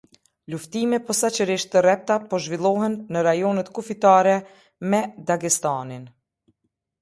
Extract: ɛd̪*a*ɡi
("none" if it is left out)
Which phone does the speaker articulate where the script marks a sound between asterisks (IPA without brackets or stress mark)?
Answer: a